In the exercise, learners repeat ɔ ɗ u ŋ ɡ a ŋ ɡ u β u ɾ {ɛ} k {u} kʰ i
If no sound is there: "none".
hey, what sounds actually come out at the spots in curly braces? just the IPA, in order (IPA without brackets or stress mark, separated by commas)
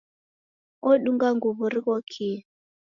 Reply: i, ɔ